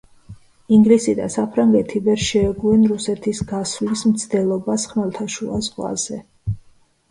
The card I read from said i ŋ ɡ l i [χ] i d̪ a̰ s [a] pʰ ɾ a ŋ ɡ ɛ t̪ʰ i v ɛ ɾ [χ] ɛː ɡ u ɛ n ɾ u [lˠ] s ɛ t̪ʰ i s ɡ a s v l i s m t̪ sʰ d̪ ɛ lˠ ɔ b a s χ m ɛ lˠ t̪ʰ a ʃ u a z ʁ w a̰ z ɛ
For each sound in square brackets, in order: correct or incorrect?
incorrect: s, correct, incorrect: ʃ, incorrect: none

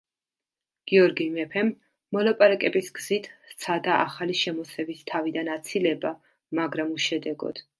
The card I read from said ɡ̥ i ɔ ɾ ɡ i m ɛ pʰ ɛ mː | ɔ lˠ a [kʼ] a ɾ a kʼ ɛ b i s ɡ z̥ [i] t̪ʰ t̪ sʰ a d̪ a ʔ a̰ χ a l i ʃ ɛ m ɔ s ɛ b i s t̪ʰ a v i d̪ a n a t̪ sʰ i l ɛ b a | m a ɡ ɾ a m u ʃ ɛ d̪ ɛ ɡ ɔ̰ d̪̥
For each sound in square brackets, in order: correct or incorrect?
incorrect: pʼ, correct

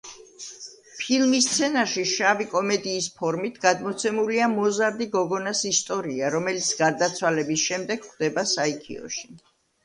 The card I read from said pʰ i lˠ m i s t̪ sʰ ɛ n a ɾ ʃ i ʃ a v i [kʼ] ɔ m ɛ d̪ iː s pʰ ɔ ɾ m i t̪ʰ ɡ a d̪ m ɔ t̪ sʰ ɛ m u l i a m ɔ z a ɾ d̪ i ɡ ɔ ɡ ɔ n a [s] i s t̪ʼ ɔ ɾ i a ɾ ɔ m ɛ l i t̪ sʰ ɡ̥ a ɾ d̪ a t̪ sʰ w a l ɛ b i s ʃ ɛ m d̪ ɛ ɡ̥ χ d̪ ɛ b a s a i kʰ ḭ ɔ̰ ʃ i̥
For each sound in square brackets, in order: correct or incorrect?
correct, correct

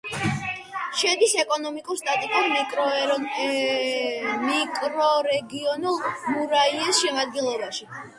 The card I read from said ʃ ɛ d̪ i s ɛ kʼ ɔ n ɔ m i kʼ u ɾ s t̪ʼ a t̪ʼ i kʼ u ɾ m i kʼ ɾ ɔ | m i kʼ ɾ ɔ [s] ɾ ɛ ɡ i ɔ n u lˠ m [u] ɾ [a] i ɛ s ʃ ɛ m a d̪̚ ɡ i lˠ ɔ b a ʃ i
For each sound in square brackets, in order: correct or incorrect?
incorrect: none, correct, correct

